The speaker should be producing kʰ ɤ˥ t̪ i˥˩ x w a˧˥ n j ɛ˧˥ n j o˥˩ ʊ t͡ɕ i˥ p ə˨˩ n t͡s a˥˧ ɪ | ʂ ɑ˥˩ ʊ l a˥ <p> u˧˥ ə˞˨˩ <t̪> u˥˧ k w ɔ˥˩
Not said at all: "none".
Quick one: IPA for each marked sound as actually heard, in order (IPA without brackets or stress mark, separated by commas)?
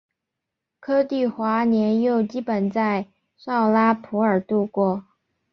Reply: pʰ, t̪